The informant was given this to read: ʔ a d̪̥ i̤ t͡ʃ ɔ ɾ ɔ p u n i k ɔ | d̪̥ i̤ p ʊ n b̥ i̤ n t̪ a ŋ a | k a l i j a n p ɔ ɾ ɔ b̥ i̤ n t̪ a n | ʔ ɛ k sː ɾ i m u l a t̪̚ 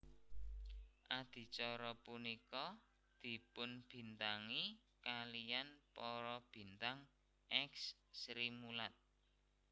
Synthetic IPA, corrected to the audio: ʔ a d̪̥ i̤ t͡ʃ ɔ ɾ ɔ p u n i k ɔ | d̪̥ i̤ p ʊ n b̥ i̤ n t̪ a ŋ i | k a l i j a n p ɔ ɾ ɔ b̥ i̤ n t̪ a ŋ | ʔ ɛ k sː ɾ i m u l a t̪̚